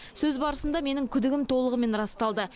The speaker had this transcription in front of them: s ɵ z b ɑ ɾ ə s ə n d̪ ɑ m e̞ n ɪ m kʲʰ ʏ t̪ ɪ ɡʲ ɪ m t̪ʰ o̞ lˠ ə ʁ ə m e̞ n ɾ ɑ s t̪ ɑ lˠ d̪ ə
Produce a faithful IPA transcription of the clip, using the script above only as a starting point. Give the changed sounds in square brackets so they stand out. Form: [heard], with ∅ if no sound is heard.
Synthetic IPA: s ɵ z b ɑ ɾ ə s ə n d̪ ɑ m e̞ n ɪ [ŋ] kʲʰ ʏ [d̪] ɪ ɡʲ ɪ m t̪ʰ o̞ lˠ ə ʁ ə m e̞ n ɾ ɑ s t̪ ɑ lˠ d̪ ə